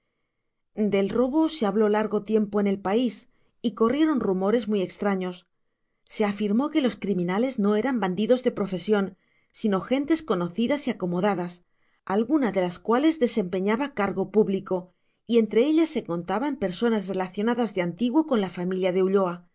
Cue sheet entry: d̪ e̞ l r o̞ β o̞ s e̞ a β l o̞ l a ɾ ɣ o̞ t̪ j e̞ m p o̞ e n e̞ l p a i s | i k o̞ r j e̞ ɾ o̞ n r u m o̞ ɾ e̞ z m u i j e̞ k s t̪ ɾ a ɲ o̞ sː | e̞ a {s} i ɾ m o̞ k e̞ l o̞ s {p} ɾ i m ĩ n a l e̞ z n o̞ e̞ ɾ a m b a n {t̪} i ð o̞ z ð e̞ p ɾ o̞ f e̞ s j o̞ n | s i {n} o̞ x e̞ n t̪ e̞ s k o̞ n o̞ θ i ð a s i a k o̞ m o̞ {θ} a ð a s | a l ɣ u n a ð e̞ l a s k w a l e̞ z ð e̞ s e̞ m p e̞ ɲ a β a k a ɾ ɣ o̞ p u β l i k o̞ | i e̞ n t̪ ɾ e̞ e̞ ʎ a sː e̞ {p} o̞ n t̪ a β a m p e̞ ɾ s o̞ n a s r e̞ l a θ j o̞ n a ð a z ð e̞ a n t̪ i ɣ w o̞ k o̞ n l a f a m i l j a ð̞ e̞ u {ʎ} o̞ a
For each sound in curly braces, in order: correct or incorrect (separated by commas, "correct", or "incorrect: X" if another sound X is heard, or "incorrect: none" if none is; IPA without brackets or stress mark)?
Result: incorrect: f, incorrect: k, incorrect: d̪, correct, incorrect: ð, incorrect: k, correct